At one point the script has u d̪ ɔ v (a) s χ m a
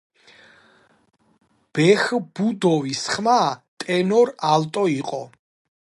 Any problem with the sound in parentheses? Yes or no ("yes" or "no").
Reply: yes